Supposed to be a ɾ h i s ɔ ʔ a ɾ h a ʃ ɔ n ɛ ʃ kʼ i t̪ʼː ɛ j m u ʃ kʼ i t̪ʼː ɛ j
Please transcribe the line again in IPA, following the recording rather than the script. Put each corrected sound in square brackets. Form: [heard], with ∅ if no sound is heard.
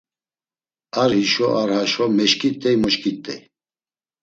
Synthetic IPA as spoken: a ɾ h i [ʃ] ɔ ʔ a ɾ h a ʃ ɔ [m] ɛ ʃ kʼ i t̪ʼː ɛ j m [ɔ] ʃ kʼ i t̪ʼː ɛ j